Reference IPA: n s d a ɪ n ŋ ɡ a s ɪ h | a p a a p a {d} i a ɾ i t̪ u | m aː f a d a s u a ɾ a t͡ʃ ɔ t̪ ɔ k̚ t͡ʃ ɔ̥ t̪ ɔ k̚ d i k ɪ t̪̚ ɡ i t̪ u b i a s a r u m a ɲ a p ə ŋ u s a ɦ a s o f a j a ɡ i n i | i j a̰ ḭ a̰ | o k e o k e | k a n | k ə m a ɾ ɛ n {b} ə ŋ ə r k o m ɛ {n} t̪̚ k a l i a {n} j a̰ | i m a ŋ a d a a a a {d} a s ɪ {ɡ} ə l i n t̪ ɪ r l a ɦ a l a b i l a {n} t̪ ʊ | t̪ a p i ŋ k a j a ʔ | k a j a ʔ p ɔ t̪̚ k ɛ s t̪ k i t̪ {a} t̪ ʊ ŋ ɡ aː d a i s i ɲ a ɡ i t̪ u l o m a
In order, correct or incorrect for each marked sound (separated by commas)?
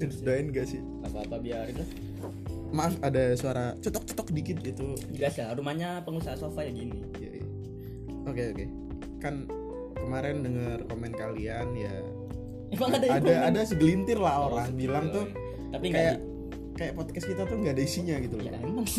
incorrect, incorrect, correct, correct, correct, correct, incorrect, correct